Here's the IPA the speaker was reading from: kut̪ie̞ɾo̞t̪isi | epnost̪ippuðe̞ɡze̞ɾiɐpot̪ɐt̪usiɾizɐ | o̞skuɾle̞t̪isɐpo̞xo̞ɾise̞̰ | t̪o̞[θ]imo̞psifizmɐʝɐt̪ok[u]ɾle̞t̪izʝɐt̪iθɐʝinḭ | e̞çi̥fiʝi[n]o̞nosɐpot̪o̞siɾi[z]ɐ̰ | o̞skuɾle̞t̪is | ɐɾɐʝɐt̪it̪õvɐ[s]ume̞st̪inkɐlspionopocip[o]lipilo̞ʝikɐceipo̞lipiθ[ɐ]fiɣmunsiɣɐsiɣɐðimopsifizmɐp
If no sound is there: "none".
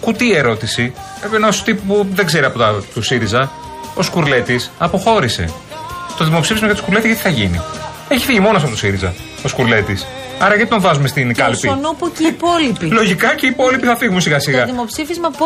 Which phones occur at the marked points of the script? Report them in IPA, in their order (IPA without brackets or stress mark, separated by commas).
ð, u, m, z, z, o, ɐ